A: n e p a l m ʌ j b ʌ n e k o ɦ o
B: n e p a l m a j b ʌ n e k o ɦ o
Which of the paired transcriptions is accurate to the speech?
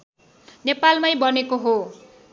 B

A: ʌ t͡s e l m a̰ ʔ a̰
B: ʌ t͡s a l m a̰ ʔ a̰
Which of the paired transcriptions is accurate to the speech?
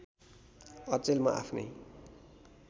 A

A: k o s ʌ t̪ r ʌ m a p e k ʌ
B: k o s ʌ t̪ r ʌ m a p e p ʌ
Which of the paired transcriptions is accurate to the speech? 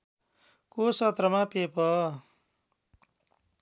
B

